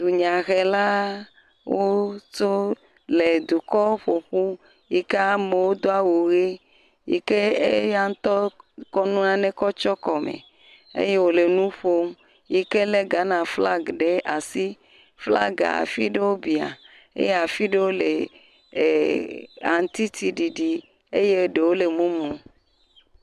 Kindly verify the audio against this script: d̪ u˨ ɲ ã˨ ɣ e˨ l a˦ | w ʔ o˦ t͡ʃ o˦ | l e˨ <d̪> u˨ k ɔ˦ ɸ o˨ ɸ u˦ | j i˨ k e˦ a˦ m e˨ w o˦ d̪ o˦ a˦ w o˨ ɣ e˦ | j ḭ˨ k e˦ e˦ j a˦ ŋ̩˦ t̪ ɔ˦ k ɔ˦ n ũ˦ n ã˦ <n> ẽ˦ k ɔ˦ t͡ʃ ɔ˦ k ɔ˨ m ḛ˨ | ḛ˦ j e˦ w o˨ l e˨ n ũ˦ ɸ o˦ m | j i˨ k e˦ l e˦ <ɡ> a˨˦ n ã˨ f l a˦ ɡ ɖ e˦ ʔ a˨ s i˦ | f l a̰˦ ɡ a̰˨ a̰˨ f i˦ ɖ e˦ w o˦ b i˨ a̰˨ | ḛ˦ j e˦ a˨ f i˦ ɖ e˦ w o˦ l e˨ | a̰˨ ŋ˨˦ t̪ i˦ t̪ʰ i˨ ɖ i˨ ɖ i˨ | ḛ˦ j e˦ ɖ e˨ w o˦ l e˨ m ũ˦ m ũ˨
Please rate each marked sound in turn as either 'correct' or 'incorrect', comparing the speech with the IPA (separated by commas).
correct, correct, correct